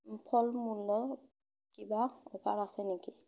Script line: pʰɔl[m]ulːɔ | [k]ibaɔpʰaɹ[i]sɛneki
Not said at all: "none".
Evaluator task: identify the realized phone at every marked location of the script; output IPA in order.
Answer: m, k, a

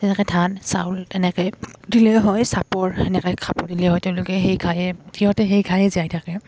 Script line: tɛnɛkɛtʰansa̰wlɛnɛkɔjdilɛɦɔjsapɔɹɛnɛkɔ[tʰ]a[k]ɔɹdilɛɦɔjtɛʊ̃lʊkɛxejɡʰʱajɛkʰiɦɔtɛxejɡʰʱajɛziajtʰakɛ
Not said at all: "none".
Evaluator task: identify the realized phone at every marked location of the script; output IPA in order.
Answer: kʰ, p

